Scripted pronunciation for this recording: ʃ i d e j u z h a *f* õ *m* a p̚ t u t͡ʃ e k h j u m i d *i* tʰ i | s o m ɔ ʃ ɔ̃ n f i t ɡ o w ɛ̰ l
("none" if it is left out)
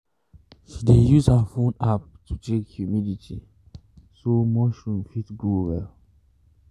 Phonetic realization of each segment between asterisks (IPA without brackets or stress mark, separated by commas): f, n, i